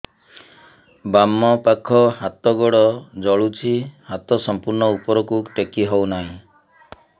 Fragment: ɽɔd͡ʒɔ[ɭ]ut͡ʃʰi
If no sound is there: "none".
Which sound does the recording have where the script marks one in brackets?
ɭ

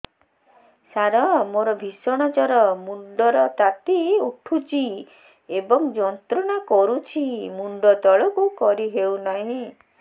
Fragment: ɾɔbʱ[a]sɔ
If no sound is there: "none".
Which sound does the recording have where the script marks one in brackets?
i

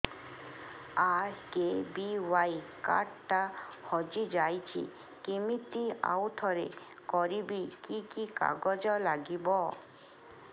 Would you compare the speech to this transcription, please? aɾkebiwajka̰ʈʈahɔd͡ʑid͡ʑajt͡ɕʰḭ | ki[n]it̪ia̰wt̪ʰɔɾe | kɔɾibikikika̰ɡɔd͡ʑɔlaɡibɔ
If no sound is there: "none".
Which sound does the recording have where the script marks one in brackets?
m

